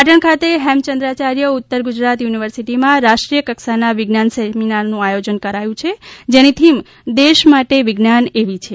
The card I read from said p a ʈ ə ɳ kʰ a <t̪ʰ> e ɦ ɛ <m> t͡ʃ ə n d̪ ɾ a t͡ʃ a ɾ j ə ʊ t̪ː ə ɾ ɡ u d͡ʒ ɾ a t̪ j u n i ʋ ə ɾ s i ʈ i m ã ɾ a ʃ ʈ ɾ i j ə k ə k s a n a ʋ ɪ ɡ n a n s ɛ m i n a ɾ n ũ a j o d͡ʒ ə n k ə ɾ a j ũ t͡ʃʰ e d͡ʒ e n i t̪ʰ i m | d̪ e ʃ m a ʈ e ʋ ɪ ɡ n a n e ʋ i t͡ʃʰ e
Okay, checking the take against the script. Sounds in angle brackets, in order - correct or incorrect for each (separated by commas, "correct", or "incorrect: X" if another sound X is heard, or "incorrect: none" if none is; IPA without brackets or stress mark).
incorrect: t̪, correct